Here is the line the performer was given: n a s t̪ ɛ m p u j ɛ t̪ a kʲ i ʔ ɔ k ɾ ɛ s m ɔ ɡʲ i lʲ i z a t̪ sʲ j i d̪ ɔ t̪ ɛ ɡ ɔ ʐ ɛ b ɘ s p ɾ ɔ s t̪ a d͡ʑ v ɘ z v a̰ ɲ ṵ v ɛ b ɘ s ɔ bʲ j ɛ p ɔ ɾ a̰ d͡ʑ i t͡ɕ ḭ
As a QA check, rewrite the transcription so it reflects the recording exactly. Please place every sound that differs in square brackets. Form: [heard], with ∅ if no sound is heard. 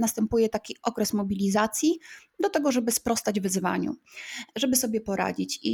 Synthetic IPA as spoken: n a s t̪ ɛ m p u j ɛ t̪ a kʲ i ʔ ɔ k ɾ ɛ s m ɔ [bʲ] i lʲ i z a t̪ sʲ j i d̪ ɔ t̪ ɛ ɡ ɔ ʐ ɛ b ɘ s p ɾ ɔ s t̪ a d͡ʑ v ɘ z v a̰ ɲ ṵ [ʐ] ɛ b ɘ s ɔ bʲ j ɛ p ɔ ɾ a̰ d͡ʑ i t͡ɕ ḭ